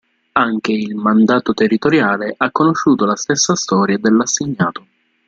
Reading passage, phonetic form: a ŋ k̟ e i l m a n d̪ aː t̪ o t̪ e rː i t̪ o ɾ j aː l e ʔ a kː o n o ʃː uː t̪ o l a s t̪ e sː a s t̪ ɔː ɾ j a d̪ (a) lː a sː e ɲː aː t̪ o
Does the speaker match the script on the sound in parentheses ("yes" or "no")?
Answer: no